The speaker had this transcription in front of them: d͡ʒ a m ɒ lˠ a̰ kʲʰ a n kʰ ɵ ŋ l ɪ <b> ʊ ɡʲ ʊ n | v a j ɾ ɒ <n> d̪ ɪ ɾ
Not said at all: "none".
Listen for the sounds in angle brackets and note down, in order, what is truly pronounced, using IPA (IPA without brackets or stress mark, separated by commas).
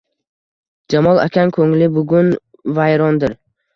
b, n